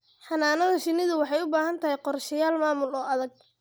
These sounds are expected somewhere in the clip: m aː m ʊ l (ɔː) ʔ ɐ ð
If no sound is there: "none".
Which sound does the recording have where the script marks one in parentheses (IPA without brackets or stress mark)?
ɔː